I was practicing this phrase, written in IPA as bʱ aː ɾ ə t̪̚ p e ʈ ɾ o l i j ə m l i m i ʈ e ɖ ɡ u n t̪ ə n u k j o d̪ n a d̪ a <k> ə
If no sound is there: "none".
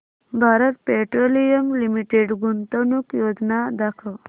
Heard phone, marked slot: kʰ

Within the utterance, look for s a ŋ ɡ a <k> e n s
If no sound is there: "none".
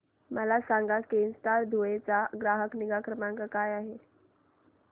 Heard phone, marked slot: k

